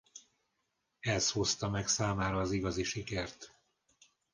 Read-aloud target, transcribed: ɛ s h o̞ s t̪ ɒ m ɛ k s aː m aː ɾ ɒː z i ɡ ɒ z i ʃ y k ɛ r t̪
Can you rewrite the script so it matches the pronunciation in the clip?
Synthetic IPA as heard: ɛ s h o̞ s t̪ ɒ m ɛ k s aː m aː ɾ ɒː z i ɡ ɒ z i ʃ i k ɛ r t̪